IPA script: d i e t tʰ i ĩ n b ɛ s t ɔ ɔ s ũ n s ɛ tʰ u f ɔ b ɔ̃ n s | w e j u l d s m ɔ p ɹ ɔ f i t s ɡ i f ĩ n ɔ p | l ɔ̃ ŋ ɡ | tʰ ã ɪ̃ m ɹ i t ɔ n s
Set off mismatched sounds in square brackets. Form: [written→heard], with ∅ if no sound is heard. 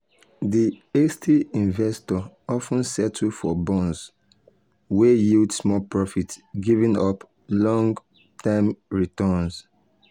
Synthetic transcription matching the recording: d i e [t→s] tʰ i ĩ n [b→v] ɛ s t ɔ ɔ [s→f] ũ n s ɛ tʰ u f ɔ b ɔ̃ n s | w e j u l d s m ɔ p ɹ ɔ f i t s ɡ i [f→v] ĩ n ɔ p | l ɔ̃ ŋ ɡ | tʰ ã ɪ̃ m ɹ i t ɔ n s